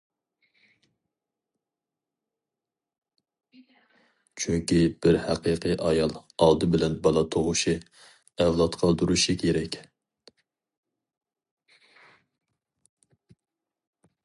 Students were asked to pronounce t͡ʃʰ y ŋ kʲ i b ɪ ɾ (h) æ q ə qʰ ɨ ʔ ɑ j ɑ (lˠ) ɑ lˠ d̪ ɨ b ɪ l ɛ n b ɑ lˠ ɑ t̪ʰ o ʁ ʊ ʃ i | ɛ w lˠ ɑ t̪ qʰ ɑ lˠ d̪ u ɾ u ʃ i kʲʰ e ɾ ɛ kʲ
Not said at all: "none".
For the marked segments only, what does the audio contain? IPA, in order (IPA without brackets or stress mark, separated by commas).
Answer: h, lˠ